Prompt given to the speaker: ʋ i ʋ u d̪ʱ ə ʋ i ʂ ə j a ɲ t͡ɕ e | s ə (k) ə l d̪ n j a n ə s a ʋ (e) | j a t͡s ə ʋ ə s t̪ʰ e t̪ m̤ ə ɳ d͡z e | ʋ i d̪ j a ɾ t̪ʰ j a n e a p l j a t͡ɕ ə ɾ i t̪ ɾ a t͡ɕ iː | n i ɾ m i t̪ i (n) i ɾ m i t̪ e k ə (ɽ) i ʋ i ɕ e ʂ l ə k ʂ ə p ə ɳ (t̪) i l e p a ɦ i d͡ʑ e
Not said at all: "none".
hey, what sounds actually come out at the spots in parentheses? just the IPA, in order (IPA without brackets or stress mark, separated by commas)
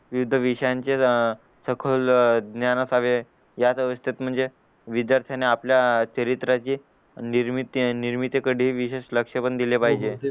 kʰ, e, n, ɽ, d̪